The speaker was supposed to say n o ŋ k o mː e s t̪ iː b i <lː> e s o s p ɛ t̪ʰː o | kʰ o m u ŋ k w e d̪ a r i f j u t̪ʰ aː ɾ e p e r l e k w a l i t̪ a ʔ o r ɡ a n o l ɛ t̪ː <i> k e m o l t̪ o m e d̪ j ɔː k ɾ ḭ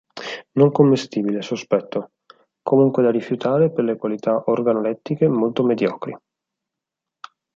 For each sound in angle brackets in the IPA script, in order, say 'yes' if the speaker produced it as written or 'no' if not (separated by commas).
no, yes